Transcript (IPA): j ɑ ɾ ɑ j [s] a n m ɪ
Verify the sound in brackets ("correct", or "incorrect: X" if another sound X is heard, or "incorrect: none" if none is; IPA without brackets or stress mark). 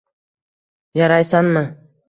correct